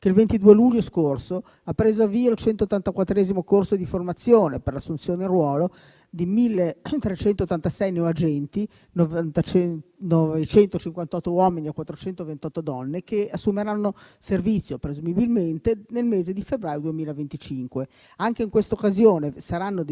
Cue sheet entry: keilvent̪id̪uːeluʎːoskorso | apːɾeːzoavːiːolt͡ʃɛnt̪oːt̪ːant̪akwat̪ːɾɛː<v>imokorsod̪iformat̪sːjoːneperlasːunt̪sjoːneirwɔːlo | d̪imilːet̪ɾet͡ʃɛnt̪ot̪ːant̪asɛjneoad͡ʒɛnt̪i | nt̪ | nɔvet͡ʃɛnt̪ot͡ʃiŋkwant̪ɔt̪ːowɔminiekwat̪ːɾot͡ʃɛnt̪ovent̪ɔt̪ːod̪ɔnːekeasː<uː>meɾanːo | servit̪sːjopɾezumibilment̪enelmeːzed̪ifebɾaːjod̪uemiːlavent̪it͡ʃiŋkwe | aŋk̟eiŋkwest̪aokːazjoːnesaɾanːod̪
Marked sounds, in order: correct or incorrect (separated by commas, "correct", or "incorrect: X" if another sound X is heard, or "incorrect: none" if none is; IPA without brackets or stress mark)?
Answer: incorrect: z, incorrect: u